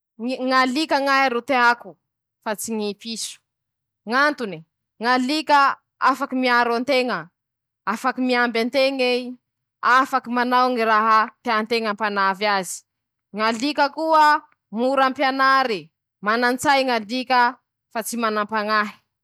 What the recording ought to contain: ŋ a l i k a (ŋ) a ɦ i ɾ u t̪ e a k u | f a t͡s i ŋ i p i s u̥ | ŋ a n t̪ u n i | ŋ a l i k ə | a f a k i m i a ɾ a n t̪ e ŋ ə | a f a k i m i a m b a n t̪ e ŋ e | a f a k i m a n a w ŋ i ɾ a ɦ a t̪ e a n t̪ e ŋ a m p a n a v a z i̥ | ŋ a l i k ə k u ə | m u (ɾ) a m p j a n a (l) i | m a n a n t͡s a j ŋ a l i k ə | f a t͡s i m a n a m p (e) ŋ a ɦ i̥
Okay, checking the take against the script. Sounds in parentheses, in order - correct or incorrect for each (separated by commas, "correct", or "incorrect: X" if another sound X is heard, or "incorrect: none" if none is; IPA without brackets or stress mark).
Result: correct, correct, incorrect: ɾ, incorrect: a